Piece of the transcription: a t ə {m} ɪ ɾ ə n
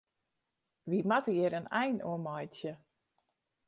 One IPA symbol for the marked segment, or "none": none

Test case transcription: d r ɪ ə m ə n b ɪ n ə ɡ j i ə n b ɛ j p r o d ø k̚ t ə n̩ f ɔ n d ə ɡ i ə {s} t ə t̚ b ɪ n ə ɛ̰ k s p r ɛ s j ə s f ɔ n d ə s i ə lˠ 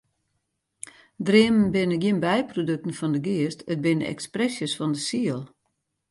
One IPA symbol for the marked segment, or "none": s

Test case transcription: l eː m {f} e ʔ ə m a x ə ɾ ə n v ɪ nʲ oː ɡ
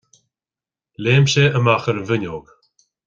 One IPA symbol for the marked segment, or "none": ʃ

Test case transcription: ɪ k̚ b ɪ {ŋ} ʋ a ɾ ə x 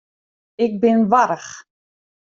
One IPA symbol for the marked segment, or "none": n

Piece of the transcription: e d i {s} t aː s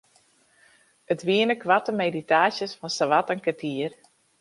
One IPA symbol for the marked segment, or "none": none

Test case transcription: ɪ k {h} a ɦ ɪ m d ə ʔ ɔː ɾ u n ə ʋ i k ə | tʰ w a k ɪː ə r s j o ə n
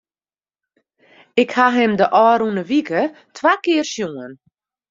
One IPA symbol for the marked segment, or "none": h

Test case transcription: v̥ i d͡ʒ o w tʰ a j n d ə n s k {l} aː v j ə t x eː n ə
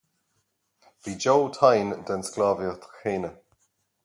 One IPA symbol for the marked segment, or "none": l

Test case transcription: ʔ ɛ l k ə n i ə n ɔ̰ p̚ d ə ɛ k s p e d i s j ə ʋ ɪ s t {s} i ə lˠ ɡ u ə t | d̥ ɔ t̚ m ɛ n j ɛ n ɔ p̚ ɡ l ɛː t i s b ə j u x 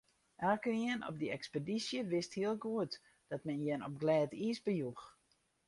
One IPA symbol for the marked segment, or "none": h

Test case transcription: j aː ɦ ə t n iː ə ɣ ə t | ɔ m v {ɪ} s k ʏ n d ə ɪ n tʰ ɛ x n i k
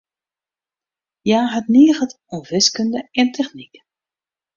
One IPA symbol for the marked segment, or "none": ɪ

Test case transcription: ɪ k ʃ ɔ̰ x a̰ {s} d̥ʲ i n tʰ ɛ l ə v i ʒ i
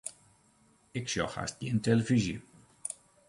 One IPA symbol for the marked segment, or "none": s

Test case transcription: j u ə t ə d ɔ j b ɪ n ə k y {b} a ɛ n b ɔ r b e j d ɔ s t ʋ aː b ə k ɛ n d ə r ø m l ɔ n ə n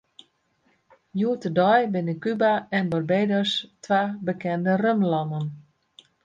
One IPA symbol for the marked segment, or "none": b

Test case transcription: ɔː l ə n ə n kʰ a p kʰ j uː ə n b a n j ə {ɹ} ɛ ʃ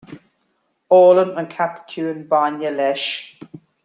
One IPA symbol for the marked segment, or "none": l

